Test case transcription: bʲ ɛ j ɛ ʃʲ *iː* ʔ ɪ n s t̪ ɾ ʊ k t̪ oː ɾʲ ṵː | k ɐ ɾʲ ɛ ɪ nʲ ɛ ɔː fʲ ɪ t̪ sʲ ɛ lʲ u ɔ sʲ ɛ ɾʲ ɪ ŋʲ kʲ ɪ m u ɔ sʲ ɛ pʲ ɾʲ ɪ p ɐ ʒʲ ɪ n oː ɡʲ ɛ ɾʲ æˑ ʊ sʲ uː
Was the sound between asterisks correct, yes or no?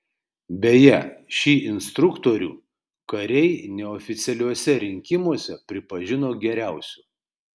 yes